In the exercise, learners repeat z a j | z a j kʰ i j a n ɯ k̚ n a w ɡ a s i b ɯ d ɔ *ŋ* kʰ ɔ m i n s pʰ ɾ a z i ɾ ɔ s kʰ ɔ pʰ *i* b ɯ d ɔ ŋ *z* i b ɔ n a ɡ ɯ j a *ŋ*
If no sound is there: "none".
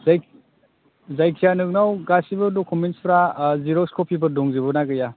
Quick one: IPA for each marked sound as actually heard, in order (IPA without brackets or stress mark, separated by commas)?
none, i, z, none